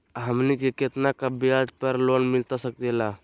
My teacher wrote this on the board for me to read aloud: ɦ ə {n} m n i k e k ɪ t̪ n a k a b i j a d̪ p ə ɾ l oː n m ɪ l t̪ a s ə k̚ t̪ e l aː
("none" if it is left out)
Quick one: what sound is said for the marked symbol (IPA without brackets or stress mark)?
none